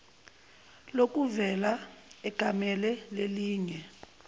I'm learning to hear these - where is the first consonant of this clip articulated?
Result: tongue tip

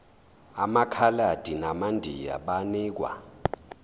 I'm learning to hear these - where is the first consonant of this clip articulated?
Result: lips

